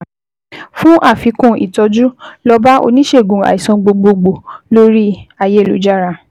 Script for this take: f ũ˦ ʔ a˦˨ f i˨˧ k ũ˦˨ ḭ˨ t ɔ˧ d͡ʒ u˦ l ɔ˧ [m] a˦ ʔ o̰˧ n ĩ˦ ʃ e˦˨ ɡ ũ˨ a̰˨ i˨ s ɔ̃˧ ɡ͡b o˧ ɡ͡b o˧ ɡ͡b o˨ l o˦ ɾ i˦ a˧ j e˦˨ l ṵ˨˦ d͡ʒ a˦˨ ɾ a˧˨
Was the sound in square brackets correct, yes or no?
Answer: no